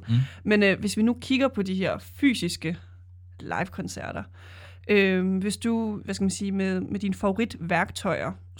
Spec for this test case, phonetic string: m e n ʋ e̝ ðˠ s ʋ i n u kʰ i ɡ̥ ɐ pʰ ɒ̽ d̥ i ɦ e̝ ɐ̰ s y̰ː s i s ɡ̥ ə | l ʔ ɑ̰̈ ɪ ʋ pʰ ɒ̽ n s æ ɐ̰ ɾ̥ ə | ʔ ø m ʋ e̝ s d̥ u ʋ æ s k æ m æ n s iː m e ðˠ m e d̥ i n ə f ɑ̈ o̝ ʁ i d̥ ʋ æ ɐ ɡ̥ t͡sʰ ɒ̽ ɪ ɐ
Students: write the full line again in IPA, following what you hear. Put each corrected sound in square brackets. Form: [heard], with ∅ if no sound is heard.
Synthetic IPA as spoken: m e n ʋ e̝ [∅] s ʋ i n u kʰ i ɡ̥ ɐ pʰ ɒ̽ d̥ i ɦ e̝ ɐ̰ [f] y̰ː s i s ɡ̥ ə | l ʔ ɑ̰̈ ɪ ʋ [kʰ] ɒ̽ n s æ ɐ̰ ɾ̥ [ɐ] | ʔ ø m ʋ e̝ s d̥ u ʋ æ s k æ m æ n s iː m e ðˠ m e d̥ i n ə f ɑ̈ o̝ ʁ i d̥ ʋ æ ɐ ɡ̥ t͡sʰ ɒ̽ ɪ ɐ